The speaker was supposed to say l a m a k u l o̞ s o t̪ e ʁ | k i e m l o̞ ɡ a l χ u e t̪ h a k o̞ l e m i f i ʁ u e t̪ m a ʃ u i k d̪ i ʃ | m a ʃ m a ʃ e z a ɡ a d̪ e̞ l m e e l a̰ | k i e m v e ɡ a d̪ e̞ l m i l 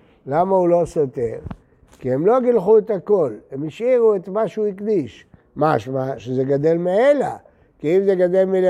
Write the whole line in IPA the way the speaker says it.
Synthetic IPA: l a m a u l o̞ s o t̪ e ʁ | k i e m l o̞ ɡ i l χ u e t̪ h a k o̞ l e m i ʃ i ʁ u e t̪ m a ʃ u i k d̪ i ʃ | m a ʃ m a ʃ e z e ɡ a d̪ e̞ l m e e l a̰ | k i i m z e ɡ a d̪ e̞ l m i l